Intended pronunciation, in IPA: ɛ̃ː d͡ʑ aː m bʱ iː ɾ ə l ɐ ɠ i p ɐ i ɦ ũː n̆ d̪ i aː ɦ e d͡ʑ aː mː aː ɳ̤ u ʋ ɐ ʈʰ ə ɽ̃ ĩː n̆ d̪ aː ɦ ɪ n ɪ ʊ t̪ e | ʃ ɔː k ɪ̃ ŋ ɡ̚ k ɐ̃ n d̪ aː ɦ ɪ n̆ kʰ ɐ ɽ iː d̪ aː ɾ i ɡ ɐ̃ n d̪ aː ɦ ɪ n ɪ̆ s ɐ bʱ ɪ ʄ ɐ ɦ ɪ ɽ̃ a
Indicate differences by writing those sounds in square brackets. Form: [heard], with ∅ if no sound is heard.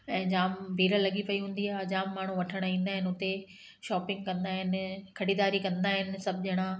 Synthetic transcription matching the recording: ɛ̃ː d͡ʑ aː m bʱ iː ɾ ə l ɐ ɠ i p ɐ i ɦ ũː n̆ d̪ i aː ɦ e d͡ʑ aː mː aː ɳ̤ u ʋ ɐ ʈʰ ə ɽ̃ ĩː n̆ d̪ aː ɦ ɪ n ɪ ʊ t̪ e | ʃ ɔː [p] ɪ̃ ŋ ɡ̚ k ɐ̃ n d̪ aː ɦ ɪ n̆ kʰ ɐ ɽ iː d̪ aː ɾ i [k] ɐ̃ n d̪ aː ɦ ɪ n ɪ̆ s ɐ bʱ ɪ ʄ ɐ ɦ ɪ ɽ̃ a